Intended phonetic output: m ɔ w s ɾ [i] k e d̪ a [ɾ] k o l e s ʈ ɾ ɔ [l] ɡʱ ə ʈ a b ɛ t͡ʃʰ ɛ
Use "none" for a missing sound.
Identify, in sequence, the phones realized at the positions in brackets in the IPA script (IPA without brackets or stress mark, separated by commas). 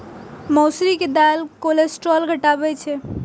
i, l, l